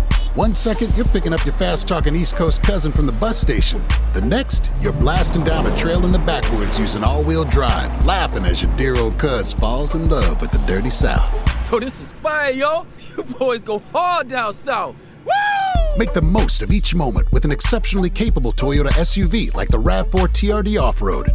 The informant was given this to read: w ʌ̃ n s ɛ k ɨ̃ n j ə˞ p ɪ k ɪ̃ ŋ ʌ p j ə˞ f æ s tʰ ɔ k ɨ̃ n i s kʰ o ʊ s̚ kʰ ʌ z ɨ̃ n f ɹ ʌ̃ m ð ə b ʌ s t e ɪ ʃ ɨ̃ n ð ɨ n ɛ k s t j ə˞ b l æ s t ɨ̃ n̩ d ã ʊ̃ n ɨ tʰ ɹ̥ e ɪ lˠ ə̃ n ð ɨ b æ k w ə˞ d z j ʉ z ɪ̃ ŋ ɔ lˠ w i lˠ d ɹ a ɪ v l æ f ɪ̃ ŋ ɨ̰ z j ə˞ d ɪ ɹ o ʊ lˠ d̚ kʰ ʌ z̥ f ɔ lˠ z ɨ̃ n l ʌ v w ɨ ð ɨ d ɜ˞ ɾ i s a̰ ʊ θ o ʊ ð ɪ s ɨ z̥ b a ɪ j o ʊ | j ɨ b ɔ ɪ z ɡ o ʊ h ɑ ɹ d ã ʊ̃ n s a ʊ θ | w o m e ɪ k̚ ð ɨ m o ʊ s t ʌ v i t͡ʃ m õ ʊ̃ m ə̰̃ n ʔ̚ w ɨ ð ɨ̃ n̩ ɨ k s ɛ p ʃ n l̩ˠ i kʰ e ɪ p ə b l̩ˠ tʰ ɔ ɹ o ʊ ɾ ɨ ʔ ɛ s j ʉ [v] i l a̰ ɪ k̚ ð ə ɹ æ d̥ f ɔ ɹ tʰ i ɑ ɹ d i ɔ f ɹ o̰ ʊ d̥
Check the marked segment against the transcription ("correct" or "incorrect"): correct